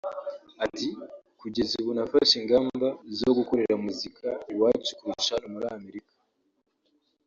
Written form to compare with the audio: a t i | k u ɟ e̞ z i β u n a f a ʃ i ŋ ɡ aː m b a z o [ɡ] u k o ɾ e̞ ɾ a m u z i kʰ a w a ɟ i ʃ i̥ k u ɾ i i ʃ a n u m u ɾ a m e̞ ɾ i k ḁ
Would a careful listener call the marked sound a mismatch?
no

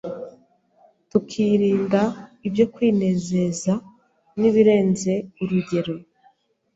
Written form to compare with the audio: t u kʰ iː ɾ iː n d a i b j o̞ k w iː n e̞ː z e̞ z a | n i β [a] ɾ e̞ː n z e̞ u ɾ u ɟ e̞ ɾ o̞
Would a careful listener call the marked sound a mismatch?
yes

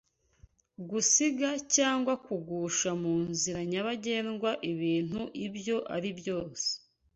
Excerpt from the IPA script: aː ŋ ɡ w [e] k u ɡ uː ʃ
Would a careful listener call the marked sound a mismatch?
yes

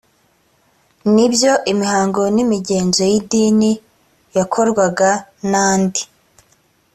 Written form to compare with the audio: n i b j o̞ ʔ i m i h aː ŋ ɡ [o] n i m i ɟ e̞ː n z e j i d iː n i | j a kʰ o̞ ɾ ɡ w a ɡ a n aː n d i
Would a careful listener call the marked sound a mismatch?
no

